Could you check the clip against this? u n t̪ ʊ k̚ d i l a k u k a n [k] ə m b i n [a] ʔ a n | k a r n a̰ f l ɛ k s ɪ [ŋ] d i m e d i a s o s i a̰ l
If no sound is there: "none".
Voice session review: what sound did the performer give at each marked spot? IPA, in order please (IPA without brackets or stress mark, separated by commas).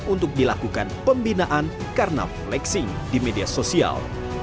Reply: p, a, ŋ